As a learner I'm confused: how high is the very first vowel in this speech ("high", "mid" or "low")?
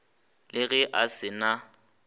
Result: high